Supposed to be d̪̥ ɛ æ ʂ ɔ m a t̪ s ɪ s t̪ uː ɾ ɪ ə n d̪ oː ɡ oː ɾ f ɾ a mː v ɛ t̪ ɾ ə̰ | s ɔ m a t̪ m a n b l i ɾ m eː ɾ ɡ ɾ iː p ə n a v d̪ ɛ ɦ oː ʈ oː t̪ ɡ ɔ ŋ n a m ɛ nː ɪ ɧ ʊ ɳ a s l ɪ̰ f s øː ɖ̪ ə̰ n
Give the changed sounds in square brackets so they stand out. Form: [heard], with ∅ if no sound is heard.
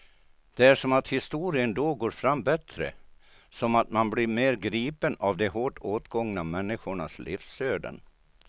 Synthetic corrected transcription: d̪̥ ɛ æ ʂ ɔ m a t̪ [h] ɪ s t̪ uː ɾ ɪ ə n d̪ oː ɡ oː ɾ f ɾ a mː [b] ɛ t̪ ɾ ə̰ | s ɔ m a t̪ m a n b l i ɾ m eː ɾ ɡ ɾ iː p ə n a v d̪ ɛ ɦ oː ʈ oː t̪ ɡ ɔ ŋ n a m ɛ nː ɪ ɧ ʊ ɳ a s l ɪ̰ f s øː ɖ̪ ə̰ n